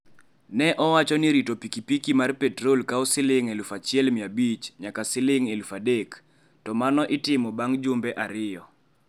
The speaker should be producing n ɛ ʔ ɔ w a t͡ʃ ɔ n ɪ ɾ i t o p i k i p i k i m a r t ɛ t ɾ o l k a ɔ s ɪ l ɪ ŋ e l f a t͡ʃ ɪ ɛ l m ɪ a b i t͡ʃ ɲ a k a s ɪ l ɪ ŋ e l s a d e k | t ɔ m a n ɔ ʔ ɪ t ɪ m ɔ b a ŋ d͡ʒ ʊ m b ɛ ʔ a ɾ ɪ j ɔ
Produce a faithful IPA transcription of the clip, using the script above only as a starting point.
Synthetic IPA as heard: n ɛ ʔ ɔ w a t͡ʃ ɔ n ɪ ɾ i t o p i k i p i k i m a r p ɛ t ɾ o l k a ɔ s ɪ l ɪ ŋ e l f a t͡ʃ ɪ ɛ l m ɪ a b i t͡ʃ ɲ a k a s ɪ l ɪ ŋ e l f a d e k | t ɔ m a n ɔ ʔ ɪ t ɪ m ɔ b a ŋ d͡ʒ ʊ m b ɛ ʔ a ɾ ɪ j ɔ